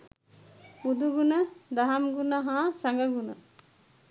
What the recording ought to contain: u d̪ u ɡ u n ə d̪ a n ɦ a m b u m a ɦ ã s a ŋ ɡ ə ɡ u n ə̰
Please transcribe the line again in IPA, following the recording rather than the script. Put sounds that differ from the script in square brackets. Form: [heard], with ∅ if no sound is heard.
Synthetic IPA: u d̪ u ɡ u n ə d̪ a [∅] ɦ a m [ɡ] u [n] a ɦ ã s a ŋ ɡ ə ɡ u n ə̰